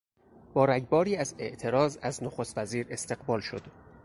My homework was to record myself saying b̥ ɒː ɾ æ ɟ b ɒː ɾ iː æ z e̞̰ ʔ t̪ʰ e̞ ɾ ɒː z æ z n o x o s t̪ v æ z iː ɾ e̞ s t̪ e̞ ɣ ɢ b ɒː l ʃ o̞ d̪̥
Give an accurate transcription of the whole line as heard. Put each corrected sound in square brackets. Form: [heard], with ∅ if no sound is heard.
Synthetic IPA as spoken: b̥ ɒː ɾ æ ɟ b ɒː ɾ iː æ z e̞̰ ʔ t̪ʰ e̞ ɾ ɒː z æ z n o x o s t̪ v æ z iː ɾ e̞ s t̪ e̞ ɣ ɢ b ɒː l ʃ o̞ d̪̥